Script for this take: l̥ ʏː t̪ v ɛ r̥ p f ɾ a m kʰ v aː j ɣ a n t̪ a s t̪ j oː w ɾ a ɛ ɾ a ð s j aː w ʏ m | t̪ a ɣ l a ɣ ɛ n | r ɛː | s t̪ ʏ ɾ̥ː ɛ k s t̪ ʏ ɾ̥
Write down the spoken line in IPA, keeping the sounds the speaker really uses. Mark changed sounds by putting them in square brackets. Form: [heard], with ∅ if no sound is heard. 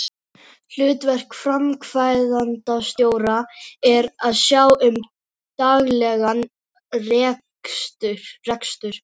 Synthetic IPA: l̥ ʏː t̪ v ɛ r̥ [k] f ɾ a m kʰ v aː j [ð] a n t̪ a s t̪ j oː w ɾ a ɛ ɾ a ð s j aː w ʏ m | t̪ a ɣ l [ɛ] ɣ [a] n | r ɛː | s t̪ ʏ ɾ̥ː ɛ k s t̪ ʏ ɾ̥